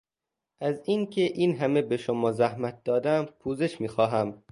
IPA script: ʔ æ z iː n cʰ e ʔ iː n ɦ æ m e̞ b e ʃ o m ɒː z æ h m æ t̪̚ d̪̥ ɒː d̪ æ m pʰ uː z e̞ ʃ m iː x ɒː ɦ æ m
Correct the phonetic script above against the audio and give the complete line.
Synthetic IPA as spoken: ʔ æ z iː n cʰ e ʔ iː n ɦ æ m e̞ b e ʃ o m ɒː z æ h m æ t̪̚ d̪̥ ɒː d̪ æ m pʰ uː z e̞ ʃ m iː x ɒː ɦ æ m

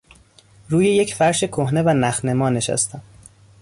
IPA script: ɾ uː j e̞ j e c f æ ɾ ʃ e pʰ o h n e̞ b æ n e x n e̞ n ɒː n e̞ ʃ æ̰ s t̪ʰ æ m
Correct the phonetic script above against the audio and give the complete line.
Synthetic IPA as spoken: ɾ uː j e̞ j e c f æ ɾ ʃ e kʰ o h n e̞ v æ n æ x n e̞ m ɒː n e̞ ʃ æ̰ s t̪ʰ æ m

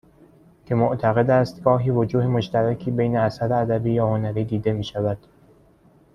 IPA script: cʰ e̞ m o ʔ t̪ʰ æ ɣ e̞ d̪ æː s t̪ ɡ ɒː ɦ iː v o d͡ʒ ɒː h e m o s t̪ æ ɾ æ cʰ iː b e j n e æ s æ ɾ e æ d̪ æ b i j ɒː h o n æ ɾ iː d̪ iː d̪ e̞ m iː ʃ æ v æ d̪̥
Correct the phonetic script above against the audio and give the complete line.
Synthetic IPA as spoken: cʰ e̞ m o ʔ t̪ʰ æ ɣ e̞ d̪ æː s t̪ ɡ ɒː ɦ iː v o d͡ʒ uː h e m o ʃ t̪ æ ɾ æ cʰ iː b e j n e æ s æ ɾ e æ d̪ æ b iː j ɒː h o n æ ɾ iː d̪ iː d̪ e̞ m iː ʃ æ v æ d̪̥

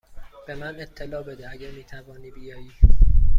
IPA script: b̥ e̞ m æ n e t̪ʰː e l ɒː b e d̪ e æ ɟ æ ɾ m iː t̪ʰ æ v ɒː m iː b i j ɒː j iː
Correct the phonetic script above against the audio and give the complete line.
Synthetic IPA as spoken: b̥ e̞ m æ n e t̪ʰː e l ɒː b e d̪ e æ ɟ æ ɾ m iː t̪ʰ æ v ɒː n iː b i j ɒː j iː

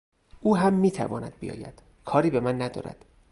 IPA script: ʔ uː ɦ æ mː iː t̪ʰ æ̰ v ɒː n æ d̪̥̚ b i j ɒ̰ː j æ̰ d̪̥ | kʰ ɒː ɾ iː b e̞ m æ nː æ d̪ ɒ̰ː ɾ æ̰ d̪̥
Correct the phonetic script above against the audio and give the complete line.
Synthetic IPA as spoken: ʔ uː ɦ æ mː iː t̪ʰ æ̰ v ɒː n æ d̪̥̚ b i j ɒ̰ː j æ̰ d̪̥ | kʰ ɒː ɾ iː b e̞ m æ nː æ d̪ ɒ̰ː ɾ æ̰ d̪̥

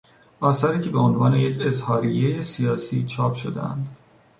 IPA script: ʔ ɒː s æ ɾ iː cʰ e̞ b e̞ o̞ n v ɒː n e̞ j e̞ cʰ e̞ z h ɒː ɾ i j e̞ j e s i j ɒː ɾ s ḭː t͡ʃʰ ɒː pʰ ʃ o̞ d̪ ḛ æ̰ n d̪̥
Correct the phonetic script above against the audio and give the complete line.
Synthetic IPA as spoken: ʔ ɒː s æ ɾ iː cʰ e̞ b e̞ o̞ n v ɒː n e̞ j e̞ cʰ e̞ z h ɒː ɾ i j e̞ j e s i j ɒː s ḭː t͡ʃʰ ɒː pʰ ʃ o̞ d̪ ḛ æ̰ n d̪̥

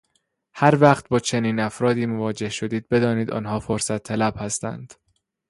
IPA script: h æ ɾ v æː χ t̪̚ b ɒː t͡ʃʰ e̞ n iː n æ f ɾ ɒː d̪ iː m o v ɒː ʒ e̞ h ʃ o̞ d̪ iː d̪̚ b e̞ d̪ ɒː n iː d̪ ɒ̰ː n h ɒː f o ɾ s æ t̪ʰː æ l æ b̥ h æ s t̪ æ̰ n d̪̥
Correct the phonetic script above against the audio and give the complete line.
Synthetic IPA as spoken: h æ ɾ v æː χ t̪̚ b ɒː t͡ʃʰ e̞ n iː n æ f ɾ ɒː d̪ iː m o v ɒː d͡ʒ e̞ h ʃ o̞ d̪ iː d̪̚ b e̞ d̪ ɒː n iː d̪ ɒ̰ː n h ɒː f o ɾ s æ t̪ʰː æ l æ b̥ h æ s t̪ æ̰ n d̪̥

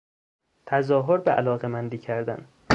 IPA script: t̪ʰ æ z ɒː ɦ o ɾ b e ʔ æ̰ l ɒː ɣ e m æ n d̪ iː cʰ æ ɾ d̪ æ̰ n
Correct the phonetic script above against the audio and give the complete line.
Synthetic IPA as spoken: t̪ʰ æ z ɒː ɦ o ɾ b e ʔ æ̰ l ɒː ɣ e m æ n d̪ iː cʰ æ ɾ d̪ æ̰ n

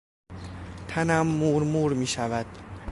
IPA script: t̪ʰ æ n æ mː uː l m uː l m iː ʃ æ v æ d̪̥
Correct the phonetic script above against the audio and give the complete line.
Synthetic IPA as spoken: t̪ʰ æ n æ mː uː ɾ m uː ɾ m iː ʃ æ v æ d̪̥

